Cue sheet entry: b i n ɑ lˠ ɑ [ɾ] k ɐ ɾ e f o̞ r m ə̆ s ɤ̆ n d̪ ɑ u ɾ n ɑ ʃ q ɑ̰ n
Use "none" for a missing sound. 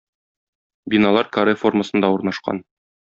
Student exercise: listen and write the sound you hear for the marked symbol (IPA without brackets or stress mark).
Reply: ɾ